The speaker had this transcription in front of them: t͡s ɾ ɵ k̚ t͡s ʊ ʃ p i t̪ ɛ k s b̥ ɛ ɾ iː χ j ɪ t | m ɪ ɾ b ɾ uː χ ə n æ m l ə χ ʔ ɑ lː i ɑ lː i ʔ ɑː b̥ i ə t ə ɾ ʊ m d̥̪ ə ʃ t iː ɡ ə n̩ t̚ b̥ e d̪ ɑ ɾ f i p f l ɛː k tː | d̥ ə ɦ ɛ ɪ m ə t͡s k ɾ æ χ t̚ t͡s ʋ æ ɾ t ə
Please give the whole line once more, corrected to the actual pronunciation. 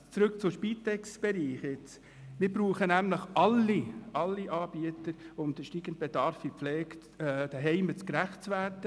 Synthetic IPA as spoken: t͡s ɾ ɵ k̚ t͡s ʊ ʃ p i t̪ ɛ k s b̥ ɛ ɾ iː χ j ɪ t͡s | m ɪ ɾ b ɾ uː χ ə n æ m l ə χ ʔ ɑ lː i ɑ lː i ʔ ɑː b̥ i ə t ə ɾ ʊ m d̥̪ ə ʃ t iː ɡ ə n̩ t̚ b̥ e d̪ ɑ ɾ f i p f l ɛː k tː | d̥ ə ɦ ɛ ɪ m ə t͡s k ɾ æ χ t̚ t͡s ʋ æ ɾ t ə